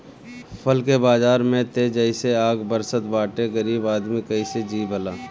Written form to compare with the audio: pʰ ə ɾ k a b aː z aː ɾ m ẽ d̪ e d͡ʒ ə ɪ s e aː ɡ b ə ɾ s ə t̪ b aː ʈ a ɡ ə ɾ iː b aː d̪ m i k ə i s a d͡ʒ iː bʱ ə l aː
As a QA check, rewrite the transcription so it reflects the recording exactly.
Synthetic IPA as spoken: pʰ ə l k e b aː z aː ɾ m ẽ t̪ e d͡ʒ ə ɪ s e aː ɡ b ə ɾ s ə t̪ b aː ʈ e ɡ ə ɾ iː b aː d̪ m i k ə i s e d͡ʒ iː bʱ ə l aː